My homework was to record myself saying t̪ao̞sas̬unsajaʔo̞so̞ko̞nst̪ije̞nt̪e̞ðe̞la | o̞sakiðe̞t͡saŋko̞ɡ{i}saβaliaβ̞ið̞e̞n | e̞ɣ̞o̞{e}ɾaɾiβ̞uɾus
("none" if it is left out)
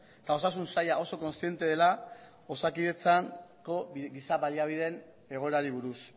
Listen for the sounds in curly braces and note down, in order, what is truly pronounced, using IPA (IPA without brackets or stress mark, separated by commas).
i, e